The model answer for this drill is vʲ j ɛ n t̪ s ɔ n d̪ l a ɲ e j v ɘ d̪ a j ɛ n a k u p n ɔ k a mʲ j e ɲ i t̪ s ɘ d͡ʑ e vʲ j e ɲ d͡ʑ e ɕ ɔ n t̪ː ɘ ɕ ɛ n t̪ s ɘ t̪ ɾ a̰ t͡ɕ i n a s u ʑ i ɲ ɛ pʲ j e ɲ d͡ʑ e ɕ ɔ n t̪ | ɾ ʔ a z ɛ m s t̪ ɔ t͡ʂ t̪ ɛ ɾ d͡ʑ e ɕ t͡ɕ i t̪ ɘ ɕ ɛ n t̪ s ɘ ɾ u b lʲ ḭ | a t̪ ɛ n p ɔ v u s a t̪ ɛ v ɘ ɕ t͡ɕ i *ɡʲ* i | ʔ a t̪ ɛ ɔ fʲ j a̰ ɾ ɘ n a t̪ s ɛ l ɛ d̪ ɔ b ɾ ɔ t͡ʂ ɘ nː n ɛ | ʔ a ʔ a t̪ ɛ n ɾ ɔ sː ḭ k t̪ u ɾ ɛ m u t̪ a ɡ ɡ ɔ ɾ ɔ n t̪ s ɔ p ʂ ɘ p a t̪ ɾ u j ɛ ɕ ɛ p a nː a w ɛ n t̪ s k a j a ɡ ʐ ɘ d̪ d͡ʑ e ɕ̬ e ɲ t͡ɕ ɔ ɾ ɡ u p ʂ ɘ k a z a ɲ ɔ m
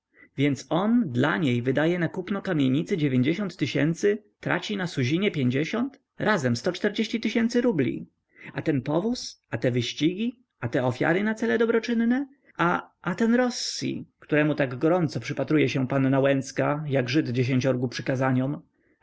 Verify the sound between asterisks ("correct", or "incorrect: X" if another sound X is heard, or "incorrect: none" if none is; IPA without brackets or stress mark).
correct